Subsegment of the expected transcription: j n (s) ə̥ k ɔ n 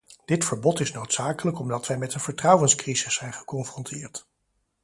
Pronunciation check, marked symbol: incorrect: χ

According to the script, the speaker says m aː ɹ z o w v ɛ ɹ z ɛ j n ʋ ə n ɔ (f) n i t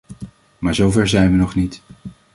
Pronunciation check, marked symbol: incorrect: χ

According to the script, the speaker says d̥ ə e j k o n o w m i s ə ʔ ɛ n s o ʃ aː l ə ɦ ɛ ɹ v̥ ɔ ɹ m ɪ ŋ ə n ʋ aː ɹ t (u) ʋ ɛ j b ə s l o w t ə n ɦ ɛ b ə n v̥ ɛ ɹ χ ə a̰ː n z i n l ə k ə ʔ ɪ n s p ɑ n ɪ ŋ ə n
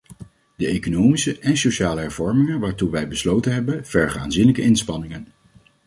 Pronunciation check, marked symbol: correct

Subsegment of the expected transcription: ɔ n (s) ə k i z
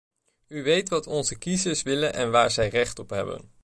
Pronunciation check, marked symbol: incorrect: z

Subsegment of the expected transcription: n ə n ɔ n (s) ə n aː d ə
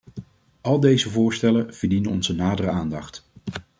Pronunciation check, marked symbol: incorrect: z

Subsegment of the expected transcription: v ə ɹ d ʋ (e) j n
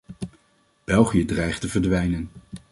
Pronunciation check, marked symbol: incorrect: ɛ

